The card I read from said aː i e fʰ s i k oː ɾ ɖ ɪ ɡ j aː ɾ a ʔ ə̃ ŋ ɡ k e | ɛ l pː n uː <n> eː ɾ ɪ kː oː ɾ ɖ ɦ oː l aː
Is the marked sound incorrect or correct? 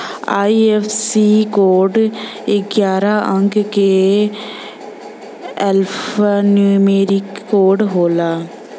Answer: incorrect: m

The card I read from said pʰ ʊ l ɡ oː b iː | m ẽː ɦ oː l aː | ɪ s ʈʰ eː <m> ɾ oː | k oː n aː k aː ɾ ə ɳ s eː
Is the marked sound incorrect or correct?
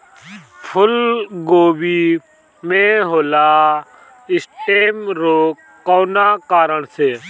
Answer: correct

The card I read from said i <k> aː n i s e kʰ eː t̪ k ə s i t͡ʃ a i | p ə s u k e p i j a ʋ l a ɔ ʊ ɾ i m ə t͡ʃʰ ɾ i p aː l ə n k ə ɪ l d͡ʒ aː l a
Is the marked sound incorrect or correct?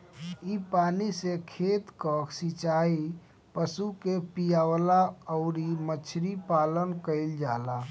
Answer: incorrect: p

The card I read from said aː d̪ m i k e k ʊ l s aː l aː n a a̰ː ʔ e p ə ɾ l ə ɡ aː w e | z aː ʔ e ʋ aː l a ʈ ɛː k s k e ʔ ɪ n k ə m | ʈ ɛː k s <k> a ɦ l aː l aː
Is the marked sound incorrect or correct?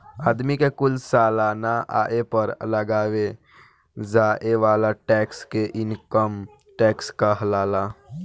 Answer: correct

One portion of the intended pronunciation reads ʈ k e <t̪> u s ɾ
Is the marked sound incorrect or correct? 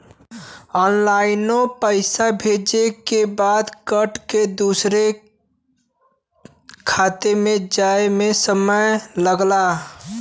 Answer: incorrect: d̪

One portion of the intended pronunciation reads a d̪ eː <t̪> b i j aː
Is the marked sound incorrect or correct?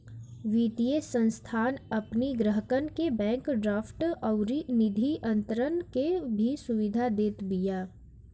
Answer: correct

